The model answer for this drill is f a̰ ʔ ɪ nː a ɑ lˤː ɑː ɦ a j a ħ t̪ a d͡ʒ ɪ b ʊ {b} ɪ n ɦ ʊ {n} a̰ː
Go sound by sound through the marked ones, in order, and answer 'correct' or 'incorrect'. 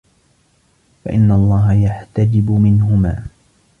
incorrect: m, incorrect: m

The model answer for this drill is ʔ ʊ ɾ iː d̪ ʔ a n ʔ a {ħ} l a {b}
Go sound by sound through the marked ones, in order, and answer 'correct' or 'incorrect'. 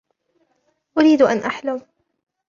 correct, incorrect: m

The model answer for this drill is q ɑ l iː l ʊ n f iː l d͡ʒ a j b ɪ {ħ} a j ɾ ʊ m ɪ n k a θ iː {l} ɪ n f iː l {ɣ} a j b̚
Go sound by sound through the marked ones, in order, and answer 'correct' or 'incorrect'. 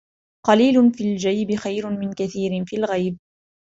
incorrect: x, incorrect: ɾ, correct

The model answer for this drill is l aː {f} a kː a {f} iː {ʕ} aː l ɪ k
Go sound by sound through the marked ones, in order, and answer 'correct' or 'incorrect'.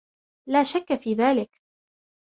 incorrect: ʃ, correct, incorrect: ð

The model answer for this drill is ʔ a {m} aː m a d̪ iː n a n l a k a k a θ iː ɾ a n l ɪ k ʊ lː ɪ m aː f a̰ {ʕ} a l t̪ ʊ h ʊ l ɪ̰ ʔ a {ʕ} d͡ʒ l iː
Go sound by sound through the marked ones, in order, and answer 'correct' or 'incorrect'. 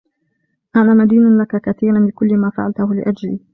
incorrect: n, correct, incorrect: none

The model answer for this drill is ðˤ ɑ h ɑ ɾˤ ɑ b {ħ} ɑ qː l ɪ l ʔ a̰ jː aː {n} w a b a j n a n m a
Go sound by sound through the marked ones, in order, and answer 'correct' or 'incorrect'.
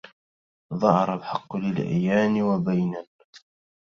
correct, correct

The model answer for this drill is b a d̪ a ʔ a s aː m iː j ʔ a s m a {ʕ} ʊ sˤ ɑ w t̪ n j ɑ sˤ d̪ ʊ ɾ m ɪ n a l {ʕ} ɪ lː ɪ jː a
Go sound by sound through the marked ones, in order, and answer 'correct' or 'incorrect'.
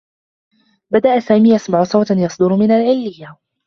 correct, correct

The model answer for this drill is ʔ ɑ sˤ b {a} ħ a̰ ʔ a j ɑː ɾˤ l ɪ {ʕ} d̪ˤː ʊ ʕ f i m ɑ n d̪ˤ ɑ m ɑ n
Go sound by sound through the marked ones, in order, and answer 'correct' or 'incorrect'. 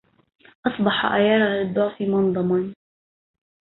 incorrect: ɑ, incorrect: none

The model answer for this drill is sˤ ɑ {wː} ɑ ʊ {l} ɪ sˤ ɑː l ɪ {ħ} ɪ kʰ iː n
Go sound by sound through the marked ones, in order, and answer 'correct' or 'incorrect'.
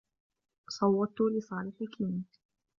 correct, correct, correct

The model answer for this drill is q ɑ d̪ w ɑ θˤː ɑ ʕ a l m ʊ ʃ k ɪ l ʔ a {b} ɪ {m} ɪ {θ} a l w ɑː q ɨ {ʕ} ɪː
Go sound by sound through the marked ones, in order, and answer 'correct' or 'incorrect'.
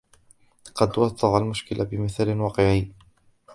correct, correct, correct, correct

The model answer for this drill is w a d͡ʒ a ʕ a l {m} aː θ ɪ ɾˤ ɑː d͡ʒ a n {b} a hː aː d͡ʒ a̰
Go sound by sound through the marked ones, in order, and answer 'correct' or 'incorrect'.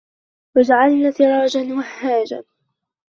incorrect: n, incorrect: w

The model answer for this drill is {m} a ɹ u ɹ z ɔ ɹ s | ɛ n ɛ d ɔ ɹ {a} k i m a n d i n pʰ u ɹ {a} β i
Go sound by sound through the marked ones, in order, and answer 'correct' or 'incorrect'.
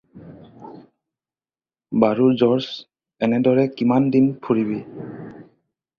incorrect: b, incorrect: ɛ, incorrect: i

